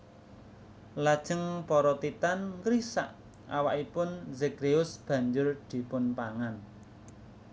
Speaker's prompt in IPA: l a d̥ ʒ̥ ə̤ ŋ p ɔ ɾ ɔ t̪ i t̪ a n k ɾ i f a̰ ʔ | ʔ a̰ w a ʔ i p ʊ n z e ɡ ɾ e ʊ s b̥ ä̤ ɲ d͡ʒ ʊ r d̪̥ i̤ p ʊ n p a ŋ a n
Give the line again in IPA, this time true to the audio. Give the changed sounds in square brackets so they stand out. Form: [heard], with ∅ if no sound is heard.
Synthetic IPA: l a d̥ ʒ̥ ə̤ ŋ p ɔ ɾ ɔ t̪ i t̪ a n k ɾ i [s] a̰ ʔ | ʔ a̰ w a ʔ i p ʊ n z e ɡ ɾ e ʊ s b̥ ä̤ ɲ d͡ʒ ʊ r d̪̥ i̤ p ʊ n p a ŋ a n